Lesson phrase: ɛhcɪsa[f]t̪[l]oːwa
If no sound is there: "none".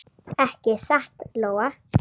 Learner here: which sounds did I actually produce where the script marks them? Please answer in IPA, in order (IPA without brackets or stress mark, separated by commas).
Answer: h, l